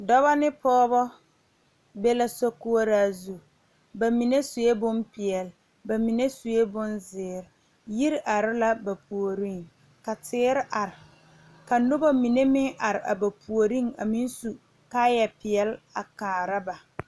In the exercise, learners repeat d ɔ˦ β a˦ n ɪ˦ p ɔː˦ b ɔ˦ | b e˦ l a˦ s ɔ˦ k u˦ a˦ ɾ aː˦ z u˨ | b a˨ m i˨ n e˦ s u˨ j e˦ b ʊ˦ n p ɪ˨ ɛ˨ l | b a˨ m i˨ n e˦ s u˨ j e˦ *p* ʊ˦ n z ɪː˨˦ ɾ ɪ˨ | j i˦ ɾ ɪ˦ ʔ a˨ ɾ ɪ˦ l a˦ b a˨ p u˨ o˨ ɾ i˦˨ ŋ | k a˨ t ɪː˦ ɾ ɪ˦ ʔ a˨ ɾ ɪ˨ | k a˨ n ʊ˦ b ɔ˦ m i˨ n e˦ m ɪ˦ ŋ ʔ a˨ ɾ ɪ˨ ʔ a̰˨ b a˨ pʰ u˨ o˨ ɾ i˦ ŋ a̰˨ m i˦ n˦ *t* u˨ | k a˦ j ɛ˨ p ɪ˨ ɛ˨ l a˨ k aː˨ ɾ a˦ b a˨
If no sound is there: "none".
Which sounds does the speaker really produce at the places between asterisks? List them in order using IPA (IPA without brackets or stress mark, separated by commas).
b, s